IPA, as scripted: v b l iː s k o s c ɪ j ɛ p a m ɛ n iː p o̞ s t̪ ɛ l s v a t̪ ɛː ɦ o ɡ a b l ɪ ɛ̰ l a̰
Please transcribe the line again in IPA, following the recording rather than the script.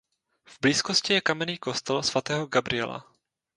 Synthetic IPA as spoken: v b l iː s k o s c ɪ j ɛ k a m ɛ n iː k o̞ s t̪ ɛ l s v a t̪ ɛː ɦ o ɡ a b ɾ ɪ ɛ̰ l a̰